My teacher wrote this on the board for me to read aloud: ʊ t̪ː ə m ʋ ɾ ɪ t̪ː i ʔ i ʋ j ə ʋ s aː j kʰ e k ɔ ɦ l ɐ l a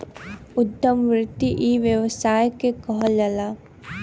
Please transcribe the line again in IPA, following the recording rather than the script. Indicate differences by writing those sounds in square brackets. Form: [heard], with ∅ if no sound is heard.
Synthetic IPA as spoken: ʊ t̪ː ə m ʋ ɾ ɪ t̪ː i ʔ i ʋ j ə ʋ s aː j [k] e k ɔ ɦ l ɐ l a